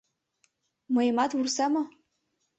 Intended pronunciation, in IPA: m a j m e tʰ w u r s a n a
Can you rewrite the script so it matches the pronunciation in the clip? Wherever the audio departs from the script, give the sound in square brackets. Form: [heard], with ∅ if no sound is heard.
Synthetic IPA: m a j m [a] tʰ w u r s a [m] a